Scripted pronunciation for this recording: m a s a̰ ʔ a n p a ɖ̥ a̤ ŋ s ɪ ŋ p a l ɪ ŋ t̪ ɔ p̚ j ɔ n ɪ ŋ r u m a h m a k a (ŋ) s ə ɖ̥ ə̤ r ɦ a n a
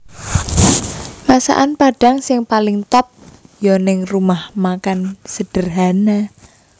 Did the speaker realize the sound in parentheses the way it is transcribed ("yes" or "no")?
no